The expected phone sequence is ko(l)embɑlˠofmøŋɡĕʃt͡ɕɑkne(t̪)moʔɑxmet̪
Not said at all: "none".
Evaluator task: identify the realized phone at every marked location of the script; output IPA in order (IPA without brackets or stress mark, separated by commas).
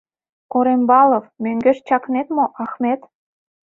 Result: ɾ, t̪